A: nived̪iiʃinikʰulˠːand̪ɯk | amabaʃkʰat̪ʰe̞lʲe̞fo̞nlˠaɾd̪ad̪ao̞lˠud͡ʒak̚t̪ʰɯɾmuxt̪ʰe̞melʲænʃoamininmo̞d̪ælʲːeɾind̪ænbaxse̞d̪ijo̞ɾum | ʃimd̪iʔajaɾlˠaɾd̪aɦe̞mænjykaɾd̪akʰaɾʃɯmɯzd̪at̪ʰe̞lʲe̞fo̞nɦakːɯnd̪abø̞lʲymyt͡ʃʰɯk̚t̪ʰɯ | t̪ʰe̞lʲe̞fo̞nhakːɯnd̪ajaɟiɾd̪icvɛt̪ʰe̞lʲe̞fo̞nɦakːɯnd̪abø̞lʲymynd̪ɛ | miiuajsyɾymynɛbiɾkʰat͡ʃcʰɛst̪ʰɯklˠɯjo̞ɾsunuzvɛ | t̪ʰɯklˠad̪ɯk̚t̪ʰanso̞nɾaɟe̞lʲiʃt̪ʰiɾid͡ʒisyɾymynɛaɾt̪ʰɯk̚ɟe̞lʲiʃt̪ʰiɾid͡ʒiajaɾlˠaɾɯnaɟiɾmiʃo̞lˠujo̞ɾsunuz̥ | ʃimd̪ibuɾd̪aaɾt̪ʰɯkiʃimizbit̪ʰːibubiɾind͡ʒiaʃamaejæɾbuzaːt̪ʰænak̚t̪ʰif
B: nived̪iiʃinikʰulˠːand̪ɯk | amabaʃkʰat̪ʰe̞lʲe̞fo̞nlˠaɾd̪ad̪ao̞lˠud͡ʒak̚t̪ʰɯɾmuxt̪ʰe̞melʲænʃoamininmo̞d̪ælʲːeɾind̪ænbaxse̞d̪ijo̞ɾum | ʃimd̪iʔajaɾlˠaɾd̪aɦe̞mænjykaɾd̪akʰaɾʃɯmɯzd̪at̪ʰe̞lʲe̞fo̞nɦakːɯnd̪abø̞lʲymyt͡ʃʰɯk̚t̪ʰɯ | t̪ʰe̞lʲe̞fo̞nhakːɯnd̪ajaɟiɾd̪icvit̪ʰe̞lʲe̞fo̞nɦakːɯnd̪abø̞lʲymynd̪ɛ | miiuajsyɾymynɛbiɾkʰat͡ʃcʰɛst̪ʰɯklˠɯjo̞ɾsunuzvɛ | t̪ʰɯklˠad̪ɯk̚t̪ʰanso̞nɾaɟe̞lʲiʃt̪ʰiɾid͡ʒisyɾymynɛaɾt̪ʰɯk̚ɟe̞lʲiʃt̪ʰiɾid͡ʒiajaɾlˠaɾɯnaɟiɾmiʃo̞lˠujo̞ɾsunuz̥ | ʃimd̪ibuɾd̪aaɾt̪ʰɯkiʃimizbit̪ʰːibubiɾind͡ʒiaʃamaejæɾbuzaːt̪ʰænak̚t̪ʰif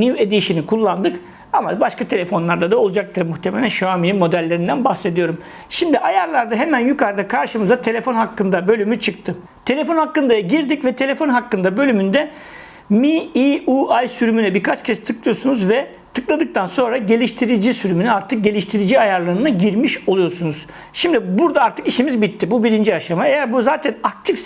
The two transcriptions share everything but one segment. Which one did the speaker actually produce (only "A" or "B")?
A